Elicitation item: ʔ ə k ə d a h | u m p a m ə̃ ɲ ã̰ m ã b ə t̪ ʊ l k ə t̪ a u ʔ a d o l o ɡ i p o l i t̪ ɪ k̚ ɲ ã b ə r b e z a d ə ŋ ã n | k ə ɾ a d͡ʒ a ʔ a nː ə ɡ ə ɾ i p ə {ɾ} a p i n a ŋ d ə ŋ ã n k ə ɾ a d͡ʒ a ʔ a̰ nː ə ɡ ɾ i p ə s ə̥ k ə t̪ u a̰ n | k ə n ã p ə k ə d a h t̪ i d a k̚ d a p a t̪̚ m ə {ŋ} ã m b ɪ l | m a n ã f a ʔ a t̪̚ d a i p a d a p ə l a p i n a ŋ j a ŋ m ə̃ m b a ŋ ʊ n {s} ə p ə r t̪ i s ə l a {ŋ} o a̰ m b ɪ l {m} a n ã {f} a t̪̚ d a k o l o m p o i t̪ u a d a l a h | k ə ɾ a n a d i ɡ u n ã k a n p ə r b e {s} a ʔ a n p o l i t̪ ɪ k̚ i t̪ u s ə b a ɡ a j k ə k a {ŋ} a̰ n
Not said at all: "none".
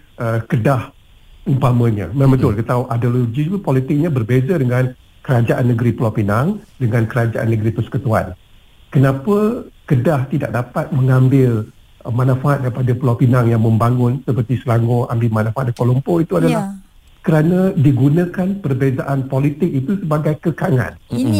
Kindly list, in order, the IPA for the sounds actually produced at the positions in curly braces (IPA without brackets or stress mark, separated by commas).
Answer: l, ŋ, s, ŋ, m, f, z, ŋ